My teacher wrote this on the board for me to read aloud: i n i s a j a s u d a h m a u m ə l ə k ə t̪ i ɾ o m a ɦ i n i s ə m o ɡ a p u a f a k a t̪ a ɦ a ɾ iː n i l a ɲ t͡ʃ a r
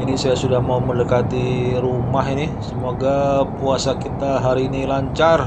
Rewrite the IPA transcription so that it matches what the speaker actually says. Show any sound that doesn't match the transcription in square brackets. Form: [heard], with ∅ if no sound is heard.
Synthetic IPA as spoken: i n i s a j a s u d a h m a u m ə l ə k [a] t̪ i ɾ [u] m a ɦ i n i s ə m o ɡ a p u a [s] a k [i] t̪ a ɦ a ɾ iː n i l a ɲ t͡ʃ a r